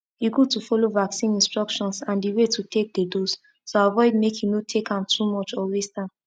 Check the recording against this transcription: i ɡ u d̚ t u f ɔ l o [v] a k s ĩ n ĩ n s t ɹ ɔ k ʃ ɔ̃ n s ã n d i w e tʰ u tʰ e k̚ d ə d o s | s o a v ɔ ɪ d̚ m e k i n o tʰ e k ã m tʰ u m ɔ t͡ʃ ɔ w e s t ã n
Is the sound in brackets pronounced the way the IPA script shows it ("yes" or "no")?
yes